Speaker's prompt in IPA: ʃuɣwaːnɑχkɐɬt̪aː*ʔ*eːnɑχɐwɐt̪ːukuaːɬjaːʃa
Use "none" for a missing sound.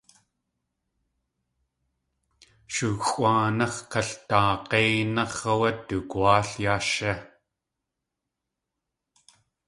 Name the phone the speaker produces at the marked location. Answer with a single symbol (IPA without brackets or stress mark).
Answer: q